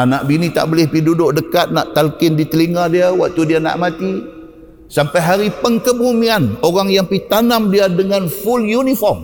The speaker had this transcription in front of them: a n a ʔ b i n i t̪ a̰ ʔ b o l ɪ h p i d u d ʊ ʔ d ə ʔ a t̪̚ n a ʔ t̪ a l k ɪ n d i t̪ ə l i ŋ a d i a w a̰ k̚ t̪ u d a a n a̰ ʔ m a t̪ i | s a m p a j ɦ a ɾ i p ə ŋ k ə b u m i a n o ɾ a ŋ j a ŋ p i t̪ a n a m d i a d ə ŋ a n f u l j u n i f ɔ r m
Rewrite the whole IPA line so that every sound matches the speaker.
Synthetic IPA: a n a ʔ b i n i t̪ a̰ ʔ b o l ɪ h p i d u d ʊ ʔ d ə k a t̪̚ n a ʔ t̪ a l k ɪ n d i t̪ ə l i ŋ a d i a w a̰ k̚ t̪ u d i a n a̰ ʔ m a t̪ i | s a m p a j ɦ a ɾ i p ə ŋ k ə b u m i a n o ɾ a ŋ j a ŋ p i t̪ a n a m d i a d ə ŋ a n f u l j u n i f ɔ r m